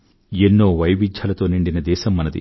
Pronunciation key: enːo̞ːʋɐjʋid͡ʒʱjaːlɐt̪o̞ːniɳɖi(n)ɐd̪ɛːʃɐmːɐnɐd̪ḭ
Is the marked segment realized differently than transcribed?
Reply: no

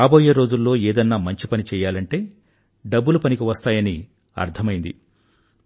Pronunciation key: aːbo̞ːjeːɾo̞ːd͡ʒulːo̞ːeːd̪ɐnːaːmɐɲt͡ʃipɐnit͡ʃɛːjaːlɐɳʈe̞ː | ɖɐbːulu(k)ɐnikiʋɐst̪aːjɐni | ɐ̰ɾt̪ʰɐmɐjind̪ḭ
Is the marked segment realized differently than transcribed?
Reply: yes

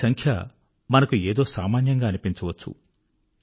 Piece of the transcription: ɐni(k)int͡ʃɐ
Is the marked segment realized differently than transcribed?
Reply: yes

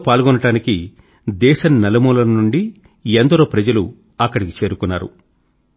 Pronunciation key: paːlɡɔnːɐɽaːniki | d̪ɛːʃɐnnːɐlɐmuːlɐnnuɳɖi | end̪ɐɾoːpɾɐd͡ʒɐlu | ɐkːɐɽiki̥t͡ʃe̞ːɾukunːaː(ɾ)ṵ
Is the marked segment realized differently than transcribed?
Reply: no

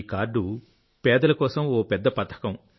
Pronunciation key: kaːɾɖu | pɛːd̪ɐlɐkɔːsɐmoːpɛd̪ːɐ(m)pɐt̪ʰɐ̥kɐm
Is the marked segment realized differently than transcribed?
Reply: yes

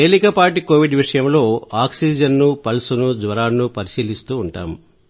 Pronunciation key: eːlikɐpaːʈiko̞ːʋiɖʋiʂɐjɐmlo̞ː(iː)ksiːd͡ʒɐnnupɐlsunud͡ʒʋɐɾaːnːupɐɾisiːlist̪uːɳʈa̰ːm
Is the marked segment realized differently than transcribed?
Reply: yes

